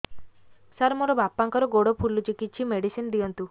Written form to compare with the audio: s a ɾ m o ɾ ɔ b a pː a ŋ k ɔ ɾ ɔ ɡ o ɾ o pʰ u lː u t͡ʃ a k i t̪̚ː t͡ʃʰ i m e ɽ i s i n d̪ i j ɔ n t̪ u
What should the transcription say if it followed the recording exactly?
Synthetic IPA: s a ɾ m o ɾ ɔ b a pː a ŋ k ɔ ɾ ɔ ɡ o ɽ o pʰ u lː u t͡ʃ i k i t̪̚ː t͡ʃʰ i m e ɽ i s i n d̪ i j ɔ n t̪ u